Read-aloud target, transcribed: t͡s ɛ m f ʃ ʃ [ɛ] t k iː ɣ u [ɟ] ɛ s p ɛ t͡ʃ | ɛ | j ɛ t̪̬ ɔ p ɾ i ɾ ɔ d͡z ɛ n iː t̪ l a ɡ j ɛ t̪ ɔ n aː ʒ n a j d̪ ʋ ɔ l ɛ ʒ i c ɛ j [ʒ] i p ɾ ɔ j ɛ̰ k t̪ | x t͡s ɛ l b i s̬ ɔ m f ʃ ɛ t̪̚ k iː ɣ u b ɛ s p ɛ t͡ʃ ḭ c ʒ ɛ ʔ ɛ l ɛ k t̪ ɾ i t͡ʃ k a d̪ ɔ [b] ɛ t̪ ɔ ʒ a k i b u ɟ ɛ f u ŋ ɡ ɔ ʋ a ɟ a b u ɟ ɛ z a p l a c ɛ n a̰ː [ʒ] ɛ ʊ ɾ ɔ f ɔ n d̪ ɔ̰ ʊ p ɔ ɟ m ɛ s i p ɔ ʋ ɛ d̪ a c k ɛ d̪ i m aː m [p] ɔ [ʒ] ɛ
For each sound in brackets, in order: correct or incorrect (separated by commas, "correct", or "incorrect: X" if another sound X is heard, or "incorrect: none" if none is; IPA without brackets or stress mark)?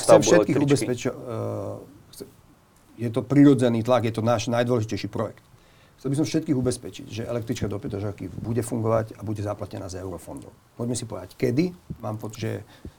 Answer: correct, incorrect: b, incorrect: ʃ, incorrect: p, incorrect: z, correct, correct